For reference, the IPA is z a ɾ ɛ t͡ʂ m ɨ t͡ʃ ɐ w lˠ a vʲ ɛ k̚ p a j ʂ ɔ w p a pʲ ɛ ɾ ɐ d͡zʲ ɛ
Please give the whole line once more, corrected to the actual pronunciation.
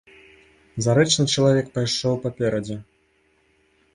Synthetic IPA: z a ɾ ɛ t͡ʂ n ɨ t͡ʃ ɐ lˠ a vʲ ɛ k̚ p a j ʂ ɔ w p a pʲ ɛ ɾ ɐ d͡zʲ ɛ

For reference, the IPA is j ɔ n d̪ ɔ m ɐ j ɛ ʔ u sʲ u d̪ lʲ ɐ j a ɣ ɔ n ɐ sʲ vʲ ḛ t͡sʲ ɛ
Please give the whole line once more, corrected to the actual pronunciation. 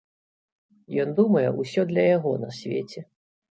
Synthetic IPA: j ɔ n d̪ u m ɐ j ɛ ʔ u sʲ ɔ d̪ lʲ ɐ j a ɣ ɔ n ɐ sʲ vʲ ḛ t͡sʲ ɛ

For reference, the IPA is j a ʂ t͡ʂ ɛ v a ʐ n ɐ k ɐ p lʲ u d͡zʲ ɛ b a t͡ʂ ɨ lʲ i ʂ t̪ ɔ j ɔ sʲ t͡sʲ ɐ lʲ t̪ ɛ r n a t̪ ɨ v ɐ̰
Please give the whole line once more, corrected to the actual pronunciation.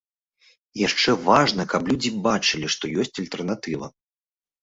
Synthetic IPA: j a ʂ t͡ʂ ɛ v a ʐ n ɐ k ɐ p lʲ u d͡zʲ i b a t͡ʂ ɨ lʲ i ʂ t̪ ɔ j ɔ sʲ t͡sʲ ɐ lʲ t̪ ɛ r n a t̪ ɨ v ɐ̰

